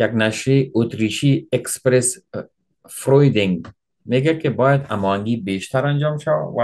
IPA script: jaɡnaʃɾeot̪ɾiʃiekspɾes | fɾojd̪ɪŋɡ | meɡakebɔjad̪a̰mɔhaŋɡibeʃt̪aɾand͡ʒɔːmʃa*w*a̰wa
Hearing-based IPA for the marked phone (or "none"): w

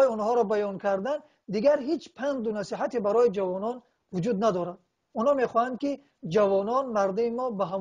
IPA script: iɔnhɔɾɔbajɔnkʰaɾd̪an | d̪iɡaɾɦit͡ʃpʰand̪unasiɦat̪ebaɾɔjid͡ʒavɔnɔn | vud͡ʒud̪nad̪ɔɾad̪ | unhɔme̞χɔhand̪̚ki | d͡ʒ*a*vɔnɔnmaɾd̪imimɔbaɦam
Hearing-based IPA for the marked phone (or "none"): a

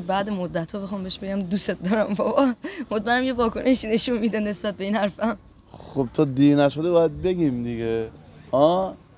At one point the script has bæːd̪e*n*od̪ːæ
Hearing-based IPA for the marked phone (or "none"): m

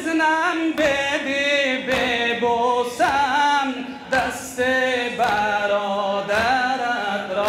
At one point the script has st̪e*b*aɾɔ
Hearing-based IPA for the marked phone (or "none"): b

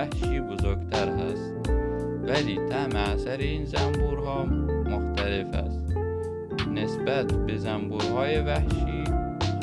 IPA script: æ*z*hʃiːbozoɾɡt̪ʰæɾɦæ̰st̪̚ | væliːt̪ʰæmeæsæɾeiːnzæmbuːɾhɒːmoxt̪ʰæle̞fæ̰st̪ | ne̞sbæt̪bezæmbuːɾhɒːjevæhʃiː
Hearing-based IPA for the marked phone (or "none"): none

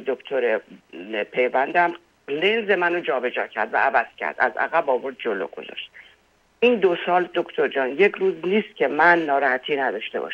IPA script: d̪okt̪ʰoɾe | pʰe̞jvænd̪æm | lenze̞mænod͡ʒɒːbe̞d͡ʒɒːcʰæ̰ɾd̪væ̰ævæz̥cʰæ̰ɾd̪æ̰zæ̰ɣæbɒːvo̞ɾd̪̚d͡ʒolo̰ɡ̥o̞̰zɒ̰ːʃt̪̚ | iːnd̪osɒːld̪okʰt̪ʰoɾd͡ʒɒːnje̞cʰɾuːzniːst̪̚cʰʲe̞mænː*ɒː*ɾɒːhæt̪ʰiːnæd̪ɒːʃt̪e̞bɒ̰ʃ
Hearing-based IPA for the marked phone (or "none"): ɒː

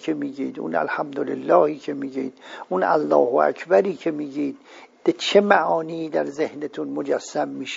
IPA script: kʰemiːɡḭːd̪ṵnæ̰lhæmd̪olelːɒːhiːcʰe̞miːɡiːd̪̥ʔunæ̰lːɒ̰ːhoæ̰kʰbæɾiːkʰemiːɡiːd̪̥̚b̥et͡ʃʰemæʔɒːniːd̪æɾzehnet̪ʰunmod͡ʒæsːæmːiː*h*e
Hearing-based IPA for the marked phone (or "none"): ʃ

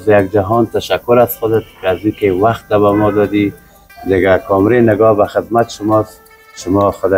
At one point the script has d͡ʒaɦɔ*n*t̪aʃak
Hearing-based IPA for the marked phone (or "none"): n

